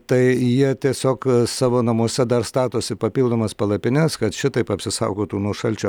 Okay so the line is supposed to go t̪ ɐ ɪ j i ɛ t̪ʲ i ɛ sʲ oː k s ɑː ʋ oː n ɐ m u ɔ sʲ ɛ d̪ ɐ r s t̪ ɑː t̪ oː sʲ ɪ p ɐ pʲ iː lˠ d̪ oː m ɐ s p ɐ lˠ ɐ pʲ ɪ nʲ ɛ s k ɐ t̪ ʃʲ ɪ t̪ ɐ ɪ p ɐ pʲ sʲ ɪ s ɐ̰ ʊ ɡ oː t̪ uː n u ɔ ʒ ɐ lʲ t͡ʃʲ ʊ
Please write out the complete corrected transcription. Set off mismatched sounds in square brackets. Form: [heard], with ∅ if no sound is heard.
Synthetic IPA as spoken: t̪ ɐ ɪ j i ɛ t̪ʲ i ɛ sʲ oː k s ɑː ʋ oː n ɐ m u ɔ sʲ ɛ d̪ ɐ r s t̪ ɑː t̪ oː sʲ ɪ p ɐ pʲ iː lˠ d̪ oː m ɐ s p ɐ lˠ ɐ pʲ ɪ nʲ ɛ s k ɐ t̪ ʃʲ ɪ t̪ ɐ ɪ p ɐ pʲ sʲ ɪ s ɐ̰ ʊ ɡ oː t̪ uː n u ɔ [ʃ] ɐ lʲ t͡ʃʲ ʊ